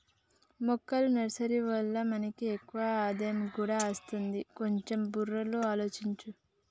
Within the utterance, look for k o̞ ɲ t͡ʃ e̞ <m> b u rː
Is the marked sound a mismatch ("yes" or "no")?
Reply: no